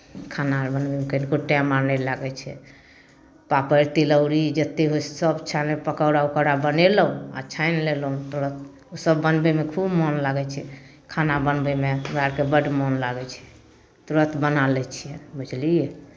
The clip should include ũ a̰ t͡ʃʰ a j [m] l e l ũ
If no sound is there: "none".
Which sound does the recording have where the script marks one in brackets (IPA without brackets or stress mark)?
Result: n